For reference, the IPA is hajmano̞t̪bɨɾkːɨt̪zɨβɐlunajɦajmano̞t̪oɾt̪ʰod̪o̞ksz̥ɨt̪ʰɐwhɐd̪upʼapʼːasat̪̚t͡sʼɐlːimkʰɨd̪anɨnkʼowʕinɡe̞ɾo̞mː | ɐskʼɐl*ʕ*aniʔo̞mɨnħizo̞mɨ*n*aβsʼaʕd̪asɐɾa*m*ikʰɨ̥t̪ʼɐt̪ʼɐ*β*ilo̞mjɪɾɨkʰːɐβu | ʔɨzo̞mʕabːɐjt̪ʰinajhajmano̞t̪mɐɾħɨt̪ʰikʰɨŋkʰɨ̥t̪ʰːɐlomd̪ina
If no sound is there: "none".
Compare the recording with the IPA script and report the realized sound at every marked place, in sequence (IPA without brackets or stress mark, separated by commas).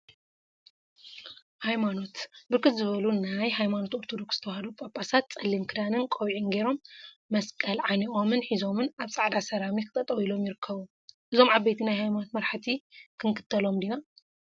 ʕ, n, m, w